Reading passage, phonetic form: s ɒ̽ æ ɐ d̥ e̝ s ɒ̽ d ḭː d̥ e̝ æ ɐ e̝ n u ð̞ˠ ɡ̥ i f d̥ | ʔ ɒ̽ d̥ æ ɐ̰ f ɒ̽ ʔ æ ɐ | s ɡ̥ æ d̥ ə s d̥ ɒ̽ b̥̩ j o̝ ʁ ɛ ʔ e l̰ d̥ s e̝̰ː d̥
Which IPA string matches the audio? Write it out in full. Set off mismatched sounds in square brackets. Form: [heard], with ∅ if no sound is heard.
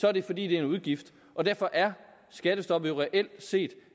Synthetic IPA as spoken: s ɒ̽ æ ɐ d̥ e̝ [f] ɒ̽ d ḭː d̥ e̝ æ ɐ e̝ n u ð̞ˠ ɡ̥ i f d̥ | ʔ ɒ̽ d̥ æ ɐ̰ f ɒ̽ ʔ æ ɐ | s ɡ̥ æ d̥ ə s d̥ ɒ̽ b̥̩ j o̝ ʁ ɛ ʔ e l̰ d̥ s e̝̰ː d̥